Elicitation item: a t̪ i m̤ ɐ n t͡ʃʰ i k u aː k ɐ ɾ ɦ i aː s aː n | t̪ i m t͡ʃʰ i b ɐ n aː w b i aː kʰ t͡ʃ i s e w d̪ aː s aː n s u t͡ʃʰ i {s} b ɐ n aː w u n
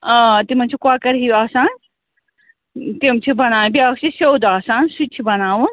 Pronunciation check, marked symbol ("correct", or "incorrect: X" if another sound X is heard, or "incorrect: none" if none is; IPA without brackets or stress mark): incorrect: none